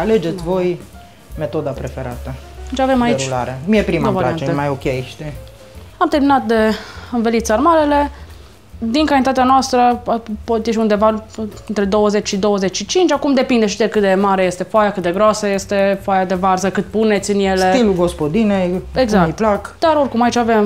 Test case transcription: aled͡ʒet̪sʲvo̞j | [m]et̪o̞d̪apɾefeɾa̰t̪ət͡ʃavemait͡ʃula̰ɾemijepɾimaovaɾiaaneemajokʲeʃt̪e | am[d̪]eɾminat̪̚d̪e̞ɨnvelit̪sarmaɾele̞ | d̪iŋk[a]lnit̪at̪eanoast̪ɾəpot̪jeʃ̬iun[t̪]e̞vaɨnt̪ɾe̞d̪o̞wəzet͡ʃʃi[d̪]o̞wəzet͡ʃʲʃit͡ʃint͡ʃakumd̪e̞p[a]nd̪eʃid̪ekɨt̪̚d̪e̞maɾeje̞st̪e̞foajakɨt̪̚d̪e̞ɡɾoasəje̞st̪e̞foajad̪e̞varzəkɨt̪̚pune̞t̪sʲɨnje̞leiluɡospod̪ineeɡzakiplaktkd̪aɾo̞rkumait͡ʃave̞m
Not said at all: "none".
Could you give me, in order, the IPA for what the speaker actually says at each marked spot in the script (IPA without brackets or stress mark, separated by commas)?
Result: m, t̪, a, d̪, d̪, i